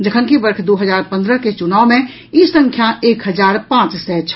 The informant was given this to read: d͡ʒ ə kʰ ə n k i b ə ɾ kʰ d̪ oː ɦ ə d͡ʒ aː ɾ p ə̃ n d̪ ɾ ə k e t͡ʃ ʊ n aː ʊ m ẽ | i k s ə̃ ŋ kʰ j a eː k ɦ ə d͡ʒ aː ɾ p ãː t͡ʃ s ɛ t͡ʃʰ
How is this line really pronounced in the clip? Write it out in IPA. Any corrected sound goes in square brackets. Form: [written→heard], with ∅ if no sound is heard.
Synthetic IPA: d͡ʒ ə kʰ ə n k i b ə ɾ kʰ d̪ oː ɦ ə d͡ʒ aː ɾ p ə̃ n d̪ ɾ ə k e t͡ʃ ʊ n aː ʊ m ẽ | i [k→∅] s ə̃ ŋ kʰ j a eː k ɦ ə d͡ʒ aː ɾ p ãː t͡ʃ s ɛ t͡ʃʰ